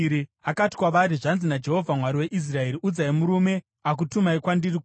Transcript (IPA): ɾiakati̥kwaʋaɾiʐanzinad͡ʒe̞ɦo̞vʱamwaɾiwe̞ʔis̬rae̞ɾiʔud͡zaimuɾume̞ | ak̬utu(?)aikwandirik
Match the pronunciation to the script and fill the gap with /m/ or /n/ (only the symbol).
m